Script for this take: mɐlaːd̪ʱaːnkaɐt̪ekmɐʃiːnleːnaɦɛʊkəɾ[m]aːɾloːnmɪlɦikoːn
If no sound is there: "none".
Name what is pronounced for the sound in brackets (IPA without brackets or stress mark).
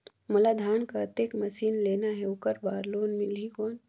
b